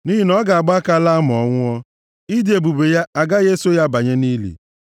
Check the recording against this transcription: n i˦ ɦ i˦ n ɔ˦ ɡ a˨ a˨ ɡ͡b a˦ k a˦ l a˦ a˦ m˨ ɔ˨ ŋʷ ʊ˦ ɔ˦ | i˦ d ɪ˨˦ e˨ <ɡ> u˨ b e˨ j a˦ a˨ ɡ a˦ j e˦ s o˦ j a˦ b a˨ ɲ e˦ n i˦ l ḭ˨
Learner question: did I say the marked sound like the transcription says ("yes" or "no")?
no